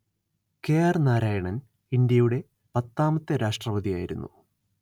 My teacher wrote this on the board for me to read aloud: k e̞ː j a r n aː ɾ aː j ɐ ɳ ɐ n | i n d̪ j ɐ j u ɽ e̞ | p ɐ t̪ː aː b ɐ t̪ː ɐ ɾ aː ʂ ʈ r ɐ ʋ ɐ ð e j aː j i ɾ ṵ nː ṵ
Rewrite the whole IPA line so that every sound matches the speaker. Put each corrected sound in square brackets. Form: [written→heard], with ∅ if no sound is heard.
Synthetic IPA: k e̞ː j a r n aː ɾ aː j ɐ ɳ ɐ n | i n d̪ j ɐ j u ɽ e̞ | p ɐ t̪ː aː [b→m] ɐ t̪ː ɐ ɾ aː ʂ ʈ r ɐ ʋ ɐ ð [e→i] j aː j i ɾ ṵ nː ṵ